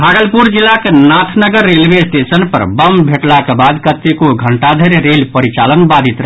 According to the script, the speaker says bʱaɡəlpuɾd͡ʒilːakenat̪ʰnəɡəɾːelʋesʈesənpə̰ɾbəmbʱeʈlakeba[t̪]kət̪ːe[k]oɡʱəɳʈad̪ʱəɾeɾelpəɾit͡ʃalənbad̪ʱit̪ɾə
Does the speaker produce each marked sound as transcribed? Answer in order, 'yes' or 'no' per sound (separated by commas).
no, yes